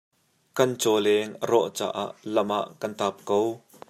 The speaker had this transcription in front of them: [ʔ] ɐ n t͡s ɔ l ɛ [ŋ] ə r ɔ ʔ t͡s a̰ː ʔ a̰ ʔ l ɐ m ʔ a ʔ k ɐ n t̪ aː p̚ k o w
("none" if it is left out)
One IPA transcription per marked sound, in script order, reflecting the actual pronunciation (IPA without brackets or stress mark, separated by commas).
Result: k, ŋ